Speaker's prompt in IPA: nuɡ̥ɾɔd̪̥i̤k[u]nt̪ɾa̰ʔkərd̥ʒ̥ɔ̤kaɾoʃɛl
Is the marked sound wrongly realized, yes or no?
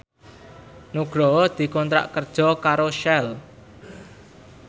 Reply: yes